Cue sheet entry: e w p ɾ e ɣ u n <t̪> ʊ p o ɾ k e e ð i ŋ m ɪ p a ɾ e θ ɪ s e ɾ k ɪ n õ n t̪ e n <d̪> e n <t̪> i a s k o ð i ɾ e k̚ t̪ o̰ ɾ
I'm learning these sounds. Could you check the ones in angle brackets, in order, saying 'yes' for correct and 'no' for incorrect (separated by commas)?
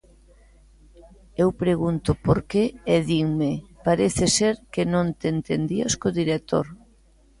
yes, no, no